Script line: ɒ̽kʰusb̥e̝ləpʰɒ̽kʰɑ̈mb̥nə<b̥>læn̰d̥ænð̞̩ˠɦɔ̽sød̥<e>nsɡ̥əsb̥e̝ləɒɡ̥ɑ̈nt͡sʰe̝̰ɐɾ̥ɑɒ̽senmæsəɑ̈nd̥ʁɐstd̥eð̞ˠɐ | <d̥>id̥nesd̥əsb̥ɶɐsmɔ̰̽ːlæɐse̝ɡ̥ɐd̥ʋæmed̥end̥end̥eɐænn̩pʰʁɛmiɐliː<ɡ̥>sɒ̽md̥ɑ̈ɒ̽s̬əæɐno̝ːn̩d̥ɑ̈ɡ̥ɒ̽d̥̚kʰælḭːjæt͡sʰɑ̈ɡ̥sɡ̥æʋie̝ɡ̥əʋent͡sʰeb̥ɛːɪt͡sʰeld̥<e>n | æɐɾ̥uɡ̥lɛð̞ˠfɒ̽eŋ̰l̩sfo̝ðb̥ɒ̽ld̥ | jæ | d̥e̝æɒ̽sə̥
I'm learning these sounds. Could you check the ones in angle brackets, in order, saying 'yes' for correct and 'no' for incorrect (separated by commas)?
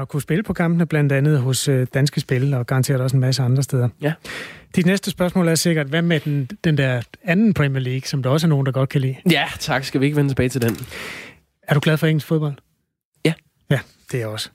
yes, no, yes, yes, yes